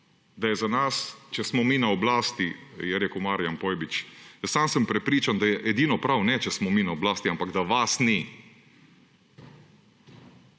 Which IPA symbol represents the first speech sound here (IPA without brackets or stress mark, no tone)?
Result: d̪